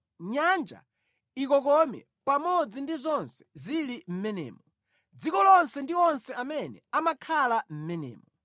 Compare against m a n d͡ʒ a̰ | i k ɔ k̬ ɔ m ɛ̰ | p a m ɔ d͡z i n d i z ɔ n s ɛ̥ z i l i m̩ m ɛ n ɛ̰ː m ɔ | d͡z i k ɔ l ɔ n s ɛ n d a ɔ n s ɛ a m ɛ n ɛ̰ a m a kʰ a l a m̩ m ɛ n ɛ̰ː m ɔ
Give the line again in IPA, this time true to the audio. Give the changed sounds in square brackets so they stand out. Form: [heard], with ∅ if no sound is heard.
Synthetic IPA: [ɲ] a n d͡ʒ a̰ | i k ɔ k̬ ɔ m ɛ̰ | p a m ɔ d͡z i n d i z ɔ n s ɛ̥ z i l i m̩ m ɛ n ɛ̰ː m ɔ | d͡z i k ɔ l ɔ n s ɛ n d [i] ɔ n s ɛ a m ɛ n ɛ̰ a m a kʰ a l a m̩ m ɛ n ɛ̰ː m ɔ